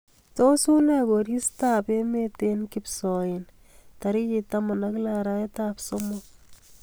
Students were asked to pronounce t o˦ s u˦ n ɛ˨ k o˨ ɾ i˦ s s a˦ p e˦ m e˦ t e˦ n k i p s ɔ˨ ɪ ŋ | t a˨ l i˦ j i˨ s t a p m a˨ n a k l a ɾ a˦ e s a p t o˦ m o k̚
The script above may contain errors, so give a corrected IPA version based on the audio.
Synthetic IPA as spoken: t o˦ s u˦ n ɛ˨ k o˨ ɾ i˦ s t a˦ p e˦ m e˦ t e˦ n k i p s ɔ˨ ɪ n | t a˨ ɾ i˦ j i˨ t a m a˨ n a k l a ɾ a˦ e t a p s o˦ m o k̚